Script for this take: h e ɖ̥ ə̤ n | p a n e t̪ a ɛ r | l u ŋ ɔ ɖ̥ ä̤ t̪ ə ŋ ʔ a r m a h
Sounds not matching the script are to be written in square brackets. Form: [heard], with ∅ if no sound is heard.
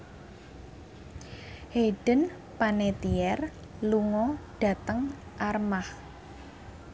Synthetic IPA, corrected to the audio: h e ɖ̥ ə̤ n | p a n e t̪ [i] ɛ r | l u ŋ ɔ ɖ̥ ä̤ t̪ ə ŋ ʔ a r m a h